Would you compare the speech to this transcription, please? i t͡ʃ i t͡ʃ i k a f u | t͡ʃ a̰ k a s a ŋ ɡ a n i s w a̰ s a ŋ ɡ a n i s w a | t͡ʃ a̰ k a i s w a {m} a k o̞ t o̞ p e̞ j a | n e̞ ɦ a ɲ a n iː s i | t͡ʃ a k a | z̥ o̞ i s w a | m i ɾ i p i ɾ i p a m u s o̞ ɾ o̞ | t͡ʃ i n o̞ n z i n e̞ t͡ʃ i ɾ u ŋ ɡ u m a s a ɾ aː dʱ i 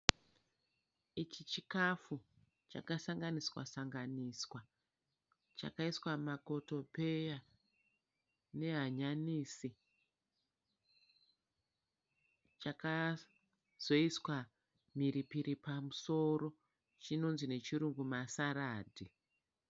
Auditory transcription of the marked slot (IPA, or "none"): m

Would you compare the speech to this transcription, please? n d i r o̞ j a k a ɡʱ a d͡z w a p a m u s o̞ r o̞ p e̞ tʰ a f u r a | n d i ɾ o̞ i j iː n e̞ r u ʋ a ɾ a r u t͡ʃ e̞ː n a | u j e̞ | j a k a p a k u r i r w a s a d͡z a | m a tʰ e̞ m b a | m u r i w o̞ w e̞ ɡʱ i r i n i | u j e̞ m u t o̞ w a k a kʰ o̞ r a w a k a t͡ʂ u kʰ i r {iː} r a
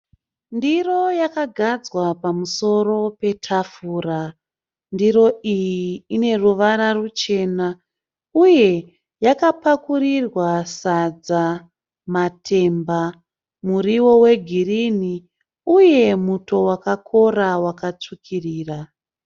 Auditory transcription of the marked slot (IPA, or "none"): iː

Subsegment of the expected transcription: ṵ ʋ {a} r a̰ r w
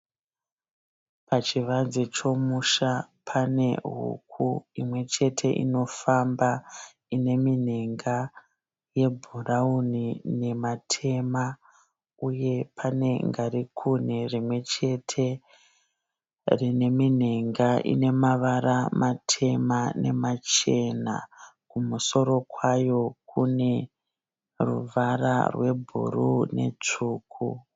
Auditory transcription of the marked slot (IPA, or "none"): a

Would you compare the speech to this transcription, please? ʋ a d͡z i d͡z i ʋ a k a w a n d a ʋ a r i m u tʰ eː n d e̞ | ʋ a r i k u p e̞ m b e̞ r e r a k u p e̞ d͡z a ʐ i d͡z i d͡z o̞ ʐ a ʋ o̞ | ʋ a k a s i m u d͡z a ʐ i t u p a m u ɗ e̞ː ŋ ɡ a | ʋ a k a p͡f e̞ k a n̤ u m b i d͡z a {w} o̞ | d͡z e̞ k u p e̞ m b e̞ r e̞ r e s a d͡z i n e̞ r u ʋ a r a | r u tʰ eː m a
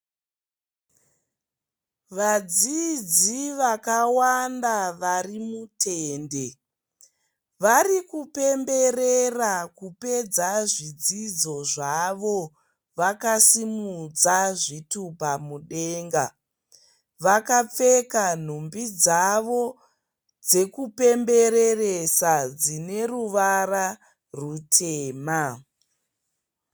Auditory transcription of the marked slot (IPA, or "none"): ʋ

